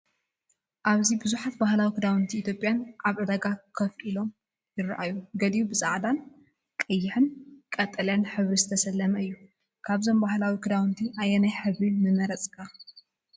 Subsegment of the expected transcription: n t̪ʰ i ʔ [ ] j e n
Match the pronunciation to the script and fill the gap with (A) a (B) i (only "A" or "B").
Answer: A